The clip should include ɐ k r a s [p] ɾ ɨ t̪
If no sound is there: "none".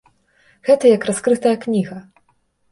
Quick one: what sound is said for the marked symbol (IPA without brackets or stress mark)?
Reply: k